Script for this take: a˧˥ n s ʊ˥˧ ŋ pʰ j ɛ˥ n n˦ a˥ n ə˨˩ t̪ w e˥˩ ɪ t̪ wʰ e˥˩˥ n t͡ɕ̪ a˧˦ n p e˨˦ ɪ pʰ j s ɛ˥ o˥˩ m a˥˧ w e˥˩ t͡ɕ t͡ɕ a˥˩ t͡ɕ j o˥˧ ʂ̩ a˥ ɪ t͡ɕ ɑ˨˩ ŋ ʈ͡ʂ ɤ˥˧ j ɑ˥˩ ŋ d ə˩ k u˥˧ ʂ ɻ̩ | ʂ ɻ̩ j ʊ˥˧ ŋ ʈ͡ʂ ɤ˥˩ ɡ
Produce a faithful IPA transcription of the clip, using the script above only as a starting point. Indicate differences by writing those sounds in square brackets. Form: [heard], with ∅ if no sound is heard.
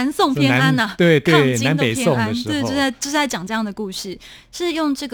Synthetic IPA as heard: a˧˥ n s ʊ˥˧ ŋ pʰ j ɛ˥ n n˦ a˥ n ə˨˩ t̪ w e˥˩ ɪ t̪ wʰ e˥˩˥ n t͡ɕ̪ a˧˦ n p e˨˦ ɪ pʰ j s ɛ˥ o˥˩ [ŋ] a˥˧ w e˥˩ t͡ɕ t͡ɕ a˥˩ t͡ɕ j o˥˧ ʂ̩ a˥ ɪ t͡ɕ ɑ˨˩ ŋ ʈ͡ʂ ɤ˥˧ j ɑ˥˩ ŋ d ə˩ k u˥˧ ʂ ɻ̩ | ʂ ɻ̩ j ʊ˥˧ ŋ ʈ͡ʂ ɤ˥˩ ɡ